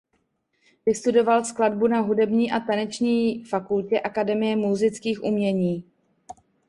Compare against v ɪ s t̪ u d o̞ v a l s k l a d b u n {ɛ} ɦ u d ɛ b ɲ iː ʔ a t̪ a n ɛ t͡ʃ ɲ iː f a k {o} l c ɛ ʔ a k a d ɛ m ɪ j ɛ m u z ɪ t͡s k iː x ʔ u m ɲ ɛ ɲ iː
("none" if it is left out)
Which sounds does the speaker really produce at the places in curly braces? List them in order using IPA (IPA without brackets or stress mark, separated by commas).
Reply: a, u